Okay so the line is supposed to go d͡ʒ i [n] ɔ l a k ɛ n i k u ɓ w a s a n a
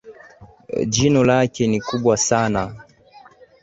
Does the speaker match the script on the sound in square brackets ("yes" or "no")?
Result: yes